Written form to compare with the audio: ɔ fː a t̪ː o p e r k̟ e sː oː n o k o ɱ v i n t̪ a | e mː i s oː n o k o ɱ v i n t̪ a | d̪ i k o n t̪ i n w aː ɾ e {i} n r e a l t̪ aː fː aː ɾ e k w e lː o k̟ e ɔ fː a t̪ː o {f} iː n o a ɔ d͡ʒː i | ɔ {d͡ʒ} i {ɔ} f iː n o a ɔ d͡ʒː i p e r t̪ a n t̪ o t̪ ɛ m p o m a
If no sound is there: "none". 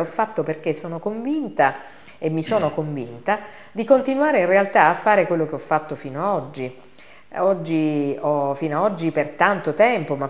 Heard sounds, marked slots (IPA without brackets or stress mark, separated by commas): i, f, d͡ʒː, ɔ